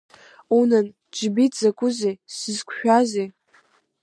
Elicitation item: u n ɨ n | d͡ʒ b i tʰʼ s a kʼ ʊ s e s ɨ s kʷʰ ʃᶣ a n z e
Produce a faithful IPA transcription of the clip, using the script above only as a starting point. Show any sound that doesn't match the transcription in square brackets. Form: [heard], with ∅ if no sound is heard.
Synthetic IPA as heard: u n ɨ n | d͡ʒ b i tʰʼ [z] a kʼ ʊ [z] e s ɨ [z] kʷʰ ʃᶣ a [∅] z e